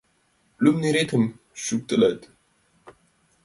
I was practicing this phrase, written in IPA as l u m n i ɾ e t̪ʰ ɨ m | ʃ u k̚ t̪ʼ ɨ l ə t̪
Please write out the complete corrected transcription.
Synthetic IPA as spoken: l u m n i ɾ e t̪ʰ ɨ m | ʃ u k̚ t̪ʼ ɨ l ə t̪